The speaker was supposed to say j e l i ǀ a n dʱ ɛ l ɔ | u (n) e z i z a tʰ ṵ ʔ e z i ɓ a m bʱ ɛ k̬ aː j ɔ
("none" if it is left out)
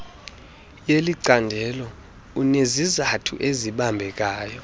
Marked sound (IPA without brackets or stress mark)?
n